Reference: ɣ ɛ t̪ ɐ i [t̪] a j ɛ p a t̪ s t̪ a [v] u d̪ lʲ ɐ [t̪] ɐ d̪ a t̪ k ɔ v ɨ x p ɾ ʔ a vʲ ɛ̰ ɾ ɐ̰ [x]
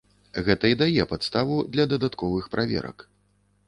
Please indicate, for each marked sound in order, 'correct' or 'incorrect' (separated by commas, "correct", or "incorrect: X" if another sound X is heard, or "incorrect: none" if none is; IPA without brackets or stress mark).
incorrect: d̪, correct, incorrect: d̪, incorrect: k